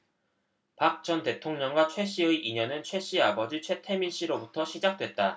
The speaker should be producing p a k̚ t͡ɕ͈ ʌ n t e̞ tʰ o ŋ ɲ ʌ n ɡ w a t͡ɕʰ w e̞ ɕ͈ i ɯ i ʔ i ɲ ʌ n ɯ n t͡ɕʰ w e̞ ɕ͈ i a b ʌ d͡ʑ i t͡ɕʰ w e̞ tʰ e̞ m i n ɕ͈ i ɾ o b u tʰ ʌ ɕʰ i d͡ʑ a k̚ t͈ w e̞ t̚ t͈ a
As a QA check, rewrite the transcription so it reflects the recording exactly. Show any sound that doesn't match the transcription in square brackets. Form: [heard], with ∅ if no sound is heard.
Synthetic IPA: p a k̚ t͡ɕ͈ ʌ n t e̞ tʰ o ŋ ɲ ʌ [ŋ] ɡ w a t͡ɕʰ w e̞ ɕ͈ i ɯ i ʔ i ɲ ʌ n ɯ n t͡ɕʰ w e̞ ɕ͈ i a b ʌ d͡ʑ i t͡ɕʰ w e̞ tʰ e̞ m i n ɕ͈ i ɾ o b u tʰ ʌ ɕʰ i d͡ʑ a k̚ t͈ w e̞ t̚ t͈ a